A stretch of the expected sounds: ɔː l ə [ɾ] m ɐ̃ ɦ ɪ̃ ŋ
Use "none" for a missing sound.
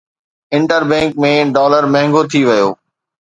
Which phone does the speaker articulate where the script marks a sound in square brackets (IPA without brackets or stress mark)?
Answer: ɾ